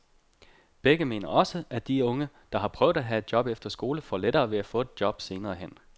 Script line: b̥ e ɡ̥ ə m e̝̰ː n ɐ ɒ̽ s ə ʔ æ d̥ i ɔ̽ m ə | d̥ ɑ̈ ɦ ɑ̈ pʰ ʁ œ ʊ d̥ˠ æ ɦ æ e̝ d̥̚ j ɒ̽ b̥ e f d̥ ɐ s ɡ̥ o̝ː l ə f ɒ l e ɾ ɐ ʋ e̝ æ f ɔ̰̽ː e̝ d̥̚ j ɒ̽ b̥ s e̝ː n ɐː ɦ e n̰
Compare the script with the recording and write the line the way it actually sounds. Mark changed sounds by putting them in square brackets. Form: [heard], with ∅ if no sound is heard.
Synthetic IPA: b̥ e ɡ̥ ə m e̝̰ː n ɐ ɒ̽ s ə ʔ æ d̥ i ɔ̽ [ŋ] ə | d̥ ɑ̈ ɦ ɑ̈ pʰ ʁ œ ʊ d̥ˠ æ ɦ æ e̝ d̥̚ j ɒ̽ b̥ e f d̥ ɐ s ɡ̥ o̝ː l ə f ɒ l e ɾ [ɐː] ʋ e̝ æ f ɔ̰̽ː e̝ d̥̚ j ɒ̽ b̥ s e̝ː n ɐː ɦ e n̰